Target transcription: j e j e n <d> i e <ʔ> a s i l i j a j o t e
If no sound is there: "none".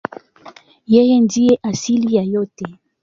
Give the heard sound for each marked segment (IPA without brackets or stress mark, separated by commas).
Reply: d, ʔ